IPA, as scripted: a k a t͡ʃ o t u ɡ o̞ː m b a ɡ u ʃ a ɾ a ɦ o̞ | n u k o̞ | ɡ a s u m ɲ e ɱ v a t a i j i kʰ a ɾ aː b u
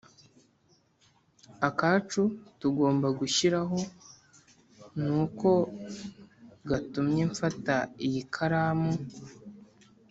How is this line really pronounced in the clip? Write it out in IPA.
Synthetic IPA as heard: a k a t͡ʃ u t u ɡ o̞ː m b a ɡ u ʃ i ɾ a ɦ o̞ | n u k o̞ | ɡ a t u m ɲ e ɱ f a t a i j i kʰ a ɾ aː m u